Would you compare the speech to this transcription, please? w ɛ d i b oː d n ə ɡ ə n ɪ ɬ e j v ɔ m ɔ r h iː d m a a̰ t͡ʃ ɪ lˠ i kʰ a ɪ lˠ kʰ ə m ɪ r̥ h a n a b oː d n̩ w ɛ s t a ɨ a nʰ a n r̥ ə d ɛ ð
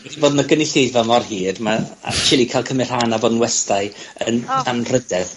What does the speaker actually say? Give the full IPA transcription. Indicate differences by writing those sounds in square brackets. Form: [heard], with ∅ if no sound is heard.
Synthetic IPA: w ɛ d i b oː d n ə ɡ ə n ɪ ɬ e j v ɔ m ɔ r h iː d m a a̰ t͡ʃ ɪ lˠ i kʰ a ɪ lˠ kʰ ə m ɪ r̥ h a n a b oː d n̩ w ɛ s t a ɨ [ə] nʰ a n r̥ ə d ɛ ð